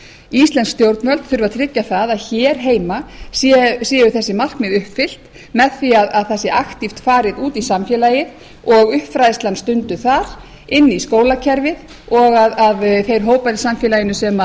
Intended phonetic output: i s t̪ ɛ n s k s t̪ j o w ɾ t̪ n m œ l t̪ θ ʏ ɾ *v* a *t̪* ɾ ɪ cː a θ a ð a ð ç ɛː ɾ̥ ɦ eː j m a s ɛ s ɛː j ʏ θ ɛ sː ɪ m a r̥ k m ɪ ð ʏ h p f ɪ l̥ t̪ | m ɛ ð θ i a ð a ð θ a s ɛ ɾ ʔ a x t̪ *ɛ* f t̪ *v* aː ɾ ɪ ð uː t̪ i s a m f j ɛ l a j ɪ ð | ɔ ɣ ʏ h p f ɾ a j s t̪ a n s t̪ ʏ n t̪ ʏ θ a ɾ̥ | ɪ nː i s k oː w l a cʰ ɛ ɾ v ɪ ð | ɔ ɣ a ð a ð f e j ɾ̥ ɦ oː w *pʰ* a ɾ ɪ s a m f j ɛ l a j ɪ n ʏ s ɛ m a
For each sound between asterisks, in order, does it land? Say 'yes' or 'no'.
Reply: yes, no, no, no, no

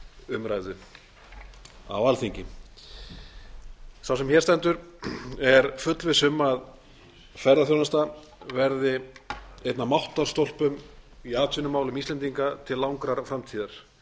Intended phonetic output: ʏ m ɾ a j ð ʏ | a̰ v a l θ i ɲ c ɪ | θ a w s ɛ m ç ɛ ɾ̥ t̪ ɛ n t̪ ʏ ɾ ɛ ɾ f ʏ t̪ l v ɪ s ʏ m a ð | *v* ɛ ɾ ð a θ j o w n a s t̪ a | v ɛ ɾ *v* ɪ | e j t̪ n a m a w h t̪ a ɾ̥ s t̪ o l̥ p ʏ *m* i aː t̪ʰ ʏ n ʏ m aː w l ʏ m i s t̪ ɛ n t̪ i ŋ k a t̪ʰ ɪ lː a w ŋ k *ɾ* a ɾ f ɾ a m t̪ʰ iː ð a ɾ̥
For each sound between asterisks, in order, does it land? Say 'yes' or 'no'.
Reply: no, no, yes, yes

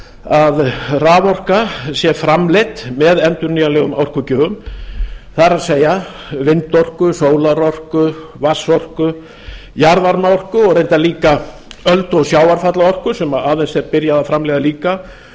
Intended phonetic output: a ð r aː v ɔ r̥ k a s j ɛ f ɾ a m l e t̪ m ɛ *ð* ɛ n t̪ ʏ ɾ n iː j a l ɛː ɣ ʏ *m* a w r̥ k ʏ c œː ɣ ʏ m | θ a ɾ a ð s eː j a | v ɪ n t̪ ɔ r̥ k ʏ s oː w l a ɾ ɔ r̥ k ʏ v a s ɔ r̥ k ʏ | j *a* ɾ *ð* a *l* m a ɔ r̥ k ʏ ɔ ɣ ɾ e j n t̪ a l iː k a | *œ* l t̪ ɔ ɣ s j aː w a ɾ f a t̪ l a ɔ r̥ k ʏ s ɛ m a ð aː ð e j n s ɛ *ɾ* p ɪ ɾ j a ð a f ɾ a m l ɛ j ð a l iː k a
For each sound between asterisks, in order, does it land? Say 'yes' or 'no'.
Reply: yes, yes, yes, no, no, yes, yes

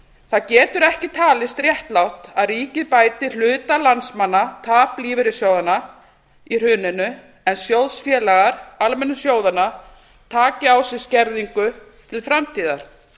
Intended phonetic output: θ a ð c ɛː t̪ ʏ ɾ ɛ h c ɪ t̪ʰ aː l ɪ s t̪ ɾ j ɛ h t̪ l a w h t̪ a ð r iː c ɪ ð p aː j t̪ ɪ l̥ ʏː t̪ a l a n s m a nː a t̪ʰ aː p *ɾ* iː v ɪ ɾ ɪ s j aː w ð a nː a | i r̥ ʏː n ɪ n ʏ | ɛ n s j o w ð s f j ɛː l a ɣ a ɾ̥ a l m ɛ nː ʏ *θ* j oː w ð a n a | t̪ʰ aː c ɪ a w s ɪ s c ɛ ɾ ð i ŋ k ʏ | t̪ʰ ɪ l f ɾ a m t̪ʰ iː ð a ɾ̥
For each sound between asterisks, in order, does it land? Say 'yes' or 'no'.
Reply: no, no

